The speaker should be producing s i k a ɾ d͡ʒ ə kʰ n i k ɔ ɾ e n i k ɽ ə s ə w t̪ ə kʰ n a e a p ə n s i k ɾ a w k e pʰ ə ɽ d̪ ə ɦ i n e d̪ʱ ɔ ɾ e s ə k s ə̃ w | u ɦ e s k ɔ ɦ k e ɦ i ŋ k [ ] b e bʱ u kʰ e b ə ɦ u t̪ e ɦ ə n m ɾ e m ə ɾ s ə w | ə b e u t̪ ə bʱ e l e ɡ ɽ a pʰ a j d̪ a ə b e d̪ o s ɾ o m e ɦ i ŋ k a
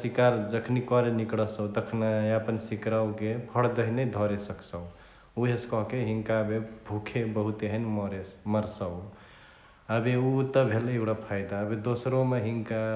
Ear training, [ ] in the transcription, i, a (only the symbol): a